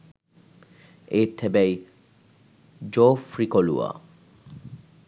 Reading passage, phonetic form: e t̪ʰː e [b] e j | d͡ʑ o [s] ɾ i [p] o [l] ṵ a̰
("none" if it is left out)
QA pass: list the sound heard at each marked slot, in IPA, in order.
b, f, k, l

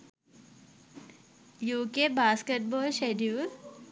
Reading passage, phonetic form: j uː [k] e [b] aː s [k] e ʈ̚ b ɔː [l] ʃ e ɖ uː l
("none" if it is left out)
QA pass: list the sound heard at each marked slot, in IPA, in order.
k, b, k, l

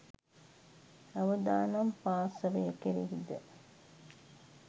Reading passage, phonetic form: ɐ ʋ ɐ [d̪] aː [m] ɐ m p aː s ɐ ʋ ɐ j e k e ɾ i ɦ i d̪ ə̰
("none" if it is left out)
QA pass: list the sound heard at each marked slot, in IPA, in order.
d̪, n

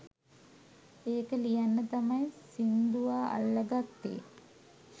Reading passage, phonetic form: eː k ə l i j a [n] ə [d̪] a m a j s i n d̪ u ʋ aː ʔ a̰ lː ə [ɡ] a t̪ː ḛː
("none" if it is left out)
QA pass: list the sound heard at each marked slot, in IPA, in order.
nː, t̪, ɡ

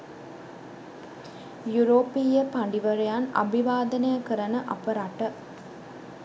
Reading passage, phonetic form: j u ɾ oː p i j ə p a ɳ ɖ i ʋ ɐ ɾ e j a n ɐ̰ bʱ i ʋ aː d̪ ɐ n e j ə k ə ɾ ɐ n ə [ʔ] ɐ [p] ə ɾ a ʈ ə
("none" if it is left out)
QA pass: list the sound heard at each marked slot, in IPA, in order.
ʔ, p

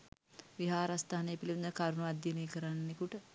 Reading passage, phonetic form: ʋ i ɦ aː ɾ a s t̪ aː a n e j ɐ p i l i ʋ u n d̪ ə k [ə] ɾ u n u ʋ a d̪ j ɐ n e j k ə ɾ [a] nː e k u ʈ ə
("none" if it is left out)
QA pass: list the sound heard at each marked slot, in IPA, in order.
a, a

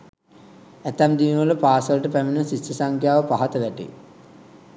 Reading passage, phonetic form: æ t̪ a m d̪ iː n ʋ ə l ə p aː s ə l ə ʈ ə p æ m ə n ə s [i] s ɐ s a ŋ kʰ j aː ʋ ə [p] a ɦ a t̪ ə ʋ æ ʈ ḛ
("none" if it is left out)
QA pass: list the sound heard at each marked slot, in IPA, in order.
i, p

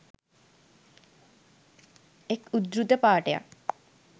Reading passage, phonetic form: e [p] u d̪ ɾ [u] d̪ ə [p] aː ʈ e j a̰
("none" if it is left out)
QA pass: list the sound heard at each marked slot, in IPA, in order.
k, u, p

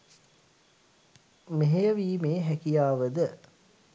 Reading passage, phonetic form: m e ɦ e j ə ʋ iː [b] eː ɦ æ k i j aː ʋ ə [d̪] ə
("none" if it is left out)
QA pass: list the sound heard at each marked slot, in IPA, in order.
m, d̪

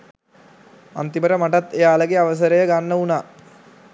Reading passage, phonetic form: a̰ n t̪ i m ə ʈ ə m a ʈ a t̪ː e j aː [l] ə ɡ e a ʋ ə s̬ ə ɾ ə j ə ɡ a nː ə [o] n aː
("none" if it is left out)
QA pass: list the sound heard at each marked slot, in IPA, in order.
l, u

